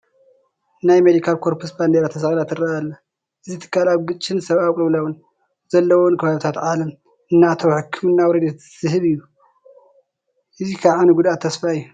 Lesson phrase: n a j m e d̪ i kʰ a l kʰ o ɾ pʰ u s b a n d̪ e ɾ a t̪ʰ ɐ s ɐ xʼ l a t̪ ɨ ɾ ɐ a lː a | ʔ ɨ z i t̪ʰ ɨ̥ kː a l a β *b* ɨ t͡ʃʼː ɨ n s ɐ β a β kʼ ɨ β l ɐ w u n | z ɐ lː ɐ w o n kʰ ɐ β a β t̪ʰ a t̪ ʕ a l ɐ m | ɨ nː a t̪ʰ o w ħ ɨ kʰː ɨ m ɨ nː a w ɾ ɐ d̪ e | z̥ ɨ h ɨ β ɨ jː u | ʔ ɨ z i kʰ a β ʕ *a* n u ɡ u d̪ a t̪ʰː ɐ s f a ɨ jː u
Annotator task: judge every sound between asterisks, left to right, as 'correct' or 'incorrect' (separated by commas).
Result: incorrect, correct